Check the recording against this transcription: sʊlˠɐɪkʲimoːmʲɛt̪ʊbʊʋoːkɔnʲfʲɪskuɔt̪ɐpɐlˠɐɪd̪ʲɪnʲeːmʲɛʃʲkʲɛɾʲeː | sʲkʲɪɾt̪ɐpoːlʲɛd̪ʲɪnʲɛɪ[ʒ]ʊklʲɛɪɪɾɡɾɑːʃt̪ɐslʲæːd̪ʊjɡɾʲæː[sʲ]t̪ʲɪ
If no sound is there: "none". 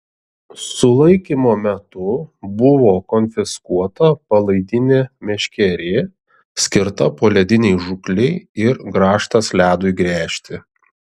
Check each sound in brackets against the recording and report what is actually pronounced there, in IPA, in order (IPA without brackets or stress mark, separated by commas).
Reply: ʒ, ʃʲ